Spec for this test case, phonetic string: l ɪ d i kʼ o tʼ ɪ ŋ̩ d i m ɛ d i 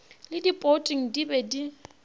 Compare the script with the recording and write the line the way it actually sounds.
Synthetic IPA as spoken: l ɪ d i pʼ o tʼ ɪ ŋ̩ d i b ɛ d i